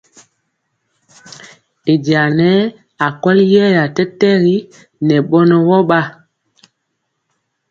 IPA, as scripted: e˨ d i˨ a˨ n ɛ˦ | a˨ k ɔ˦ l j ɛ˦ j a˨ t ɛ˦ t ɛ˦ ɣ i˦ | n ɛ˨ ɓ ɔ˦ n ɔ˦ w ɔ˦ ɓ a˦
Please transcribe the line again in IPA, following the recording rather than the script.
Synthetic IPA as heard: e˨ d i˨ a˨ n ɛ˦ | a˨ k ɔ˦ l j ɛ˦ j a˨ t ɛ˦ t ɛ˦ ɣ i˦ | n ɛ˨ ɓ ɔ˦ n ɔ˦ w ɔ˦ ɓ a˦

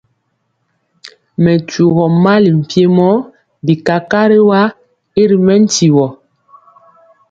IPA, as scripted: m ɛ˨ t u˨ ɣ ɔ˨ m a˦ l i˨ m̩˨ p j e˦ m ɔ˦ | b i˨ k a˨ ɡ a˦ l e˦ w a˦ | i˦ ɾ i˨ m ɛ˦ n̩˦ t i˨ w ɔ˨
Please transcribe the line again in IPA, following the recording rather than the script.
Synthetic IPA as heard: m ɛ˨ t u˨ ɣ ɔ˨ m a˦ l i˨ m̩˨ p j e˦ m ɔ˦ | b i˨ k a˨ k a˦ ɾ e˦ w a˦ | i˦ ɾ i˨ m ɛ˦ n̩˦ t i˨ w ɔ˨

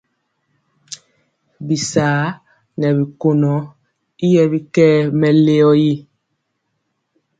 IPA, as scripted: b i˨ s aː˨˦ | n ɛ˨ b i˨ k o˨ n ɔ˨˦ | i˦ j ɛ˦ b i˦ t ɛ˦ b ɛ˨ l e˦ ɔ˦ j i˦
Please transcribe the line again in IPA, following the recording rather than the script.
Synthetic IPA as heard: b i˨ s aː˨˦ | n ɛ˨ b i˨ k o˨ n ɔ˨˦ | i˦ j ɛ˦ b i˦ k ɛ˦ m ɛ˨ l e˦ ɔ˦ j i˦

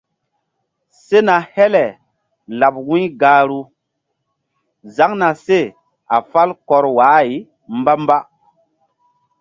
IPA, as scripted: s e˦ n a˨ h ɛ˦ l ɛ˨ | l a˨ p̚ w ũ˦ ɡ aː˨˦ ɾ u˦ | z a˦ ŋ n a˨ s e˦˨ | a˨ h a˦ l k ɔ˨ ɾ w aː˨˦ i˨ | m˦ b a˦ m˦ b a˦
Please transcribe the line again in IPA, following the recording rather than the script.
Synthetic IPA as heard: s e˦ n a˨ h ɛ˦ l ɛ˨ | l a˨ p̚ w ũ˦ ɡ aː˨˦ ɾ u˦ | z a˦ ŋ n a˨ s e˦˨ | a˨ f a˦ l k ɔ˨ ɾ w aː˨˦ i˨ | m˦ b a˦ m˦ b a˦

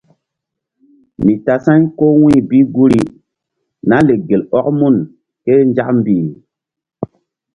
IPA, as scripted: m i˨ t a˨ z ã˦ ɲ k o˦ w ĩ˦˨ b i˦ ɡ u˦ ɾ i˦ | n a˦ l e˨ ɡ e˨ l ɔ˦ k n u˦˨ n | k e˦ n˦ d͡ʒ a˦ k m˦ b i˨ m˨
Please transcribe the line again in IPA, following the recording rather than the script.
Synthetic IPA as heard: m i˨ t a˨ s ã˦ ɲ k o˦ w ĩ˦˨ b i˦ ɡ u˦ ɾ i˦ | n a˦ l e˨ ɡ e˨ l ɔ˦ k m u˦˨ n | k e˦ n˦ d͡ʒ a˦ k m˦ b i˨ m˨

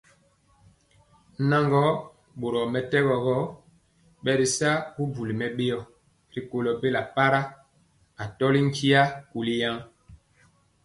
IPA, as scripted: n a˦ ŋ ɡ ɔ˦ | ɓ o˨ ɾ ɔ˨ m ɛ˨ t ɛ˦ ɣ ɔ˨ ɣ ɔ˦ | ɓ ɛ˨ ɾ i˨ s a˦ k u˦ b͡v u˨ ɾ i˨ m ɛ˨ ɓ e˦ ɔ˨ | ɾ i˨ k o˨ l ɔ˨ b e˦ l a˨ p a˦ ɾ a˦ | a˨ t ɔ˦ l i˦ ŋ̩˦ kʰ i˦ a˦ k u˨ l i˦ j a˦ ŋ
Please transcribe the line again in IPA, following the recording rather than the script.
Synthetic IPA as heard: n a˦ ŋ ɡ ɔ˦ | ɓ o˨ ɾ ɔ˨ m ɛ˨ t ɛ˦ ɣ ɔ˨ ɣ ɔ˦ | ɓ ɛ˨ ɾ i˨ s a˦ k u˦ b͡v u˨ l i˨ m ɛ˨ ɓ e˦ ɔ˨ | ɾ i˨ k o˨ l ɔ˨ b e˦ l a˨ p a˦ ɾ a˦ | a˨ t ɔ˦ l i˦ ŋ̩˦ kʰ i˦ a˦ k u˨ l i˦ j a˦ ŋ

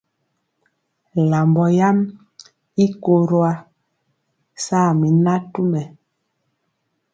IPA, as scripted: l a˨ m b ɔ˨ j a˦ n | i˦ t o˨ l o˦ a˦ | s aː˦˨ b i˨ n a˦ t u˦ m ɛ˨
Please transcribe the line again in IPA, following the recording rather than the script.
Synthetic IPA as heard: l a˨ m b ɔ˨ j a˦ m | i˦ k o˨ ɾ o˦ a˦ | s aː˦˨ m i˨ n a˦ t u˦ m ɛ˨

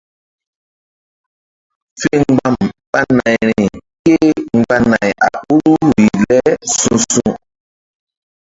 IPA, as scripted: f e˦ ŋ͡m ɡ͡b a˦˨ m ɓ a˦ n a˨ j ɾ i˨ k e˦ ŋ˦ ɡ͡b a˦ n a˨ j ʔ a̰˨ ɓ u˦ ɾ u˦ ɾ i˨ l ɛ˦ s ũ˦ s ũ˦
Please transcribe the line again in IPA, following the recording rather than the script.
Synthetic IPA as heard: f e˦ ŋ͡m ɡ͡b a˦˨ m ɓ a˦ n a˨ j ɾ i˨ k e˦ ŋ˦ ɡ͡b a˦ n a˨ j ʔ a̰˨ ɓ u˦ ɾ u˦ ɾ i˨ l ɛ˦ s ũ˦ s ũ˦

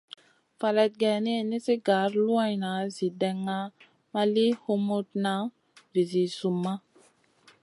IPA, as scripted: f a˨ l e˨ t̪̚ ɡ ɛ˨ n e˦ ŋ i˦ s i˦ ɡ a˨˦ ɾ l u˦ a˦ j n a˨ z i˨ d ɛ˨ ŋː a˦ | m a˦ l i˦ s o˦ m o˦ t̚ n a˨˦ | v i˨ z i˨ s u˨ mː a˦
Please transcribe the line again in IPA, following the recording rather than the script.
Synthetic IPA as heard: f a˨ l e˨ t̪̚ ɡ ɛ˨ n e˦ n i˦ s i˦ ɡ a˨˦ ɾ l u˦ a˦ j n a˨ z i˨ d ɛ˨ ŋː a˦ | m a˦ l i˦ h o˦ m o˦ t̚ n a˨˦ | v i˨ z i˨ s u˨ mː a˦

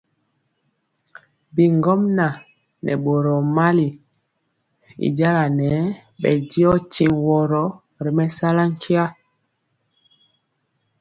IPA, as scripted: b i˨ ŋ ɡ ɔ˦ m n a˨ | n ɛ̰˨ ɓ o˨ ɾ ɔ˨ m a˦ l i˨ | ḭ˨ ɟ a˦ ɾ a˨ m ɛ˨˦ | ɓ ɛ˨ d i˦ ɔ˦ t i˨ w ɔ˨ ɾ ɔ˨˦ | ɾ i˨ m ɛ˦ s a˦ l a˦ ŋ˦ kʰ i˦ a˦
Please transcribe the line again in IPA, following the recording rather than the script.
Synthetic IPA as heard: b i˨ ŋ ɡ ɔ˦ m n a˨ | n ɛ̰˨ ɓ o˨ ɾ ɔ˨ m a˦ l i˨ | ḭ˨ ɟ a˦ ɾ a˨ n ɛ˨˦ | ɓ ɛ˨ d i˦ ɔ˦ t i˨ w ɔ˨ ɾ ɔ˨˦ | ɾ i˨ m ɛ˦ s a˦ l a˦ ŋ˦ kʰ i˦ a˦

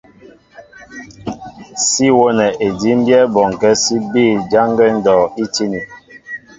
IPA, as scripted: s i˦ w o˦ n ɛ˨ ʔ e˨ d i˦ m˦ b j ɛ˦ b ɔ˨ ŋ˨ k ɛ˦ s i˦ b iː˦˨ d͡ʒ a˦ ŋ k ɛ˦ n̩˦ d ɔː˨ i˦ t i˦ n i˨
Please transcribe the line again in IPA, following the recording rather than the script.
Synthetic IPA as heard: s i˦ w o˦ n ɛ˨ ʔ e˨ d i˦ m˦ b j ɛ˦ b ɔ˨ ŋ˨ k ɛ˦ s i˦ b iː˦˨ d͡ʒ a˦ ŋ ɡ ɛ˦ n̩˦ d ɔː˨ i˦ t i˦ n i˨

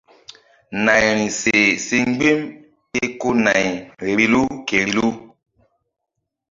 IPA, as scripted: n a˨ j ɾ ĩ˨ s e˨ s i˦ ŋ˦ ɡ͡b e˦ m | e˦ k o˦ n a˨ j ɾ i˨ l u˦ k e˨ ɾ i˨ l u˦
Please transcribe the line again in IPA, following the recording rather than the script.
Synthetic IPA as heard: n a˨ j ɾ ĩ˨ s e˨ s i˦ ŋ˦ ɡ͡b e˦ m | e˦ k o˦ n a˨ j ɾ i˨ l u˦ k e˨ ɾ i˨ l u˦

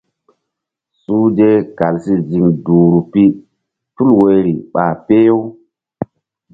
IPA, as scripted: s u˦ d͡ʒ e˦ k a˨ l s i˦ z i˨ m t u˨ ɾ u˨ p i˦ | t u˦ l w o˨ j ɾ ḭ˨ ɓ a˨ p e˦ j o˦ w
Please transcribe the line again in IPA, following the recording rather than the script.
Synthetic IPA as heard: s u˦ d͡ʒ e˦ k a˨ l s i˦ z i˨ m d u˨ ɾ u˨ p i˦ | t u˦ l w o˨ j ɾ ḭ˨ ɓ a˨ p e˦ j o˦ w

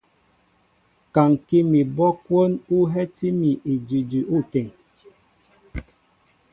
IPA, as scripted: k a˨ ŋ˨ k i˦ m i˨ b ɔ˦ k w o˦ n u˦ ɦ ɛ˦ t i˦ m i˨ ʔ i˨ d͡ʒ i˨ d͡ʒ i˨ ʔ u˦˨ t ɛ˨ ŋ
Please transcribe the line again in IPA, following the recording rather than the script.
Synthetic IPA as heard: k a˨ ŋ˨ k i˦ m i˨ b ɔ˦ k w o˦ n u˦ ɦ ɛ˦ t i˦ m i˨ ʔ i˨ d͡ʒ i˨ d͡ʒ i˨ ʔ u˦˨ t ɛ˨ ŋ

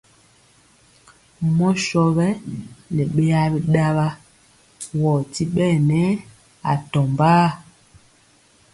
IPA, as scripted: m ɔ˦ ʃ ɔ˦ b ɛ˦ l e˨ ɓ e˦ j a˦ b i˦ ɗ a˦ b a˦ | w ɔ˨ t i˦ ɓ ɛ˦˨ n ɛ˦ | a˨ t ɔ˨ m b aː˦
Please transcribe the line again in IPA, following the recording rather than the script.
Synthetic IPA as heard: m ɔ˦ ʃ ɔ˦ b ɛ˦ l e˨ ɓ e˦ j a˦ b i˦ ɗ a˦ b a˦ | w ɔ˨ t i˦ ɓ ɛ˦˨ n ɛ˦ | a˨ t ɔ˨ m b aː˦

